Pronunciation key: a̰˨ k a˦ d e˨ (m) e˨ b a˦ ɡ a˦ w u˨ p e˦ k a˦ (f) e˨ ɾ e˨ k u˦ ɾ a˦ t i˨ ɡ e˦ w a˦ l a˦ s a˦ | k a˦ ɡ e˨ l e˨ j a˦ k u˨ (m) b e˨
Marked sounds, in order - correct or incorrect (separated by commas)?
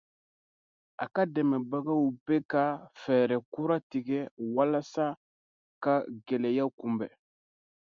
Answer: correct, correct, correct